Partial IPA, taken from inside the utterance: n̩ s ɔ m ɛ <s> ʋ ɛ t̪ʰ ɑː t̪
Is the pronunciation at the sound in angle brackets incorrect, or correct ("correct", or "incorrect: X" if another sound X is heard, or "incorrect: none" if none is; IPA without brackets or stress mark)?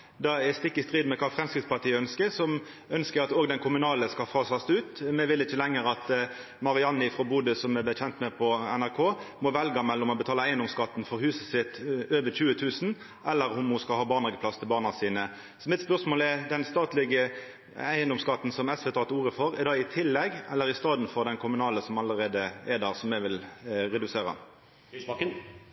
correct